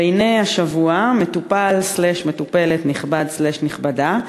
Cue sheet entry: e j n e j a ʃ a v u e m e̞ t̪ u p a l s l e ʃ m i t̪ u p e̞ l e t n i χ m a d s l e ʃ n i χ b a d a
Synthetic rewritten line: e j n e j a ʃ a v u a m e̞ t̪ u p a l s l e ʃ m e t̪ u p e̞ l e t n i χ b a d s l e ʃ n i χ b a d a